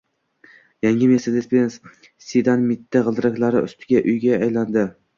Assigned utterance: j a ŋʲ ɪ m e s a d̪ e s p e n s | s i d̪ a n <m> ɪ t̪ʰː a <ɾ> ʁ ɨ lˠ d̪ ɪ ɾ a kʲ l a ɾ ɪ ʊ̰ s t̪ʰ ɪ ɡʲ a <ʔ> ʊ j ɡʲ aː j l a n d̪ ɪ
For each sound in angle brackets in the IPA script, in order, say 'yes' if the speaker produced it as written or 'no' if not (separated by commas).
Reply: yes, no, yes